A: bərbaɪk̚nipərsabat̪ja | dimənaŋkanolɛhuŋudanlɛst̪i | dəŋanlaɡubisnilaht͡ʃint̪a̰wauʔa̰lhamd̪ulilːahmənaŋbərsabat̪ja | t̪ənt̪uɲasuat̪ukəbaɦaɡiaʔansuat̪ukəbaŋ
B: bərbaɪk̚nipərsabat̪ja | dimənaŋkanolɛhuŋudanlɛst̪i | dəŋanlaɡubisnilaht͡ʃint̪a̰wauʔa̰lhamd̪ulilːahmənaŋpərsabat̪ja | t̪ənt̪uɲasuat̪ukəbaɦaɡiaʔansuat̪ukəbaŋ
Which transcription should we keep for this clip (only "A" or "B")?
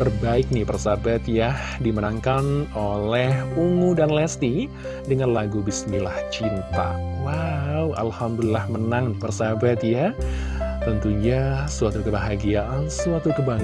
B